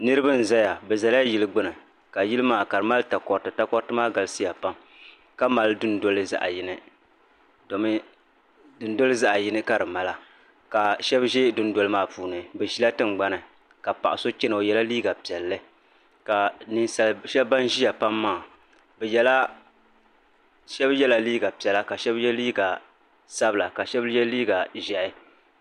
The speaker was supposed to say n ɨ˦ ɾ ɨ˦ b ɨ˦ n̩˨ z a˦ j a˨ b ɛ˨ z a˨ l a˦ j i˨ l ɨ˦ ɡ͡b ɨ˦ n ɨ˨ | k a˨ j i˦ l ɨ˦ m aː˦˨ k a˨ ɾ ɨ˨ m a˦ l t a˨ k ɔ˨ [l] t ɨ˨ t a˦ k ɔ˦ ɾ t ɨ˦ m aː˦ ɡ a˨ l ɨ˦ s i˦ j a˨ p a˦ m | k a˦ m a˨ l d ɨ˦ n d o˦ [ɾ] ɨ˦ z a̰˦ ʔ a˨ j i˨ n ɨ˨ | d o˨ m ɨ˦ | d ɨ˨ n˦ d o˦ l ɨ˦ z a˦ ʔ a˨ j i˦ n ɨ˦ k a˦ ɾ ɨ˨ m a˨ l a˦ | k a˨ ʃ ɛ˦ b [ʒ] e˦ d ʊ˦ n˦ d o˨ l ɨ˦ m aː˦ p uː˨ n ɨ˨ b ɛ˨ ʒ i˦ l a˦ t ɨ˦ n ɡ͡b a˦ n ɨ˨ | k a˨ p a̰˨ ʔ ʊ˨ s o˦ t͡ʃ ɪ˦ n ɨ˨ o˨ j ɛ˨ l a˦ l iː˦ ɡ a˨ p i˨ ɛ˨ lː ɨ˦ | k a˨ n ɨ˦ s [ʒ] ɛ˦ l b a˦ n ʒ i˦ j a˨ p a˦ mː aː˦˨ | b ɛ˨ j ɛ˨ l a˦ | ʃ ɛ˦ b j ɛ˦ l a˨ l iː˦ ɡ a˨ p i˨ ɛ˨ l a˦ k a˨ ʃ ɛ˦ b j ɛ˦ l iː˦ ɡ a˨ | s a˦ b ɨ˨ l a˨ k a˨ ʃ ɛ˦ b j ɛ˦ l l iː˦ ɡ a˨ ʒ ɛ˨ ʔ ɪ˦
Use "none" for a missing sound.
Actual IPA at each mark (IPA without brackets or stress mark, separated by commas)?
ɾ, l, ʒ, ʃ